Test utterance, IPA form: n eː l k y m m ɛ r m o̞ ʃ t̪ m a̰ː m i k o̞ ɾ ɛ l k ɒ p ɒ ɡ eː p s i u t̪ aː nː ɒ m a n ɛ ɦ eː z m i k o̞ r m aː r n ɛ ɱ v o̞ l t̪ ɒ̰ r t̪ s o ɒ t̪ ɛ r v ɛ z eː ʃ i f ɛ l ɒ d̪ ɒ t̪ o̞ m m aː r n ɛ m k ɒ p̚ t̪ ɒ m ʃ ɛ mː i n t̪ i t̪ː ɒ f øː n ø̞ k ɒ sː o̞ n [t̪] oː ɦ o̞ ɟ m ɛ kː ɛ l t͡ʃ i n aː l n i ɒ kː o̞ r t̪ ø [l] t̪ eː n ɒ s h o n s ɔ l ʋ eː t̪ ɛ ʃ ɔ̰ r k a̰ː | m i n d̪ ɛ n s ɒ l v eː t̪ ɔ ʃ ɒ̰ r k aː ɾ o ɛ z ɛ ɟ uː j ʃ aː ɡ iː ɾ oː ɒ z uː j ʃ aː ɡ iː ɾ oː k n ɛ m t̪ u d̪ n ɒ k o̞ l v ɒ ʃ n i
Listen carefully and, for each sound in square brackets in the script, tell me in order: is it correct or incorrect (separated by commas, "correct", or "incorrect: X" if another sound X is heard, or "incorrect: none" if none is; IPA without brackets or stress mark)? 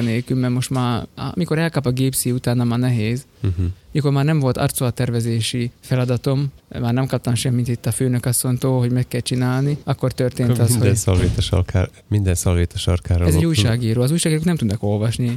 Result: correct, incorrect: r